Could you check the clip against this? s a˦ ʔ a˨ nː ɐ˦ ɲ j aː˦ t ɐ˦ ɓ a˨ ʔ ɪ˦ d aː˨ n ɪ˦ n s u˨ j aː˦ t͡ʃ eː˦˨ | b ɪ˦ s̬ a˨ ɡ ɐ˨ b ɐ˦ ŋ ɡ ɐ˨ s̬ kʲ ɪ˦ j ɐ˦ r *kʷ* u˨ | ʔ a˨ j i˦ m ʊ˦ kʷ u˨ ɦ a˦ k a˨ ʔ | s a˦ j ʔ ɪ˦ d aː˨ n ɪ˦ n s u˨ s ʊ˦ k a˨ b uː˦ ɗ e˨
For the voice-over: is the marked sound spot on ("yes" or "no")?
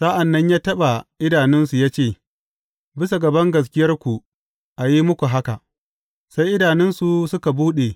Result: yes